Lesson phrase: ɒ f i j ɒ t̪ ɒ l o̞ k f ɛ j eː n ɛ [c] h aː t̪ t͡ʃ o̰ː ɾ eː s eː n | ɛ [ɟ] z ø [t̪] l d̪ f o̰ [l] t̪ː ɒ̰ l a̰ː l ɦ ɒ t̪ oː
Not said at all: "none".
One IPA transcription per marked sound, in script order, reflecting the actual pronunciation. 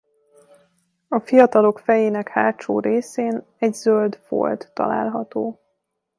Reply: k, ɟ, none, l

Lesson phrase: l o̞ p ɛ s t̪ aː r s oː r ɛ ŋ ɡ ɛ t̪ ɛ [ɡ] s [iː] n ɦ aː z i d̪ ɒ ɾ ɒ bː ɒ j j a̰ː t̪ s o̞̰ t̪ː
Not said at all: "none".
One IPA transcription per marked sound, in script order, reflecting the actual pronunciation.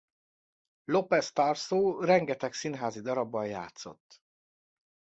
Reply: k, i

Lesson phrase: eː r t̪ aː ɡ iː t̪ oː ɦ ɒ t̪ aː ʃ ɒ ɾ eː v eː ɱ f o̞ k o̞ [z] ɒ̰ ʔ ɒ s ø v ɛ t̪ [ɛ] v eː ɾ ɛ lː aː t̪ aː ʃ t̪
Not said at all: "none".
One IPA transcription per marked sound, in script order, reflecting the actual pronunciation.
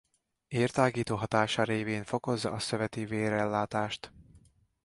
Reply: zː, i

